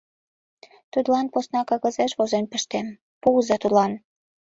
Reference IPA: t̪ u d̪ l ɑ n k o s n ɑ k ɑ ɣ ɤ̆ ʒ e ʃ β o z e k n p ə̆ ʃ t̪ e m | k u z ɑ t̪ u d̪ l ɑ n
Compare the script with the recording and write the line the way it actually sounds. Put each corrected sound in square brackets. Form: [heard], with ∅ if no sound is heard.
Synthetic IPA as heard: t̪ u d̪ l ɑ n [p] o s n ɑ k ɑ ɣ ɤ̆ [z] e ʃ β o z e [∅] n p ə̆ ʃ t̪ e m | [p] u z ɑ t̪ u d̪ l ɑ n